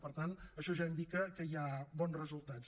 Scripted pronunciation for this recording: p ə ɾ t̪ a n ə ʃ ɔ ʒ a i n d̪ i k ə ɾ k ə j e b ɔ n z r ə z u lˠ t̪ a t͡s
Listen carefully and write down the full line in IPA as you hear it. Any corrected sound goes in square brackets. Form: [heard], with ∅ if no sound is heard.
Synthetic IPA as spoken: p ə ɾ t̪ a n ə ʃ ɔ ʒ a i n d̪ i k ə [∅] k ə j [a] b ɔ n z r ə z u lˠ t̪ a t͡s